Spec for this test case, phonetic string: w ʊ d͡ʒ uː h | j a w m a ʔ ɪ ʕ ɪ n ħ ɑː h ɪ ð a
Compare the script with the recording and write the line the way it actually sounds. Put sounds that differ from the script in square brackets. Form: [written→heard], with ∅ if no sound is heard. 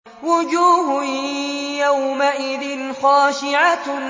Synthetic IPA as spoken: w ʊ d͡ʒ uː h | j a w m a ʔ ɪ [ʕ→ð] ɪ n [ħ→x] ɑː [h→ʃ] ɪ [ð→ʕ] a